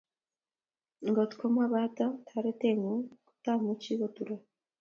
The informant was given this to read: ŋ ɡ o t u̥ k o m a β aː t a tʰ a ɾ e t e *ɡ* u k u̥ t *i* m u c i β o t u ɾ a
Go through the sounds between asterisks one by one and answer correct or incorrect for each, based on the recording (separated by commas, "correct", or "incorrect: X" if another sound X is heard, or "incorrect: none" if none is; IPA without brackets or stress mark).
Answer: incorrect: ŋ, incorrect: a